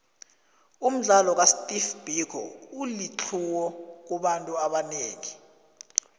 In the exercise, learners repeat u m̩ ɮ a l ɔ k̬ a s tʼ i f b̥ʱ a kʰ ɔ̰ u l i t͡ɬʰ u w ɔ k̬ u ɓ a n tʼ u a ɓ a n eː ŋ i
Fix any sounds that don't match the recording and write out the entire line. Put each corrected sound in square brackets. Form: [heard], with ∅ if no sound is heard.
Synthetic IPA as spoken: u m̩ ɮ a l ɔ k̬ a s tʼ i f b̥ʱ [i] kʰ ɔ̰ u l i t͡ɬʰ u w ɔ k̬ u ɓ a n tʼ u a ɓ a n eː ŋ i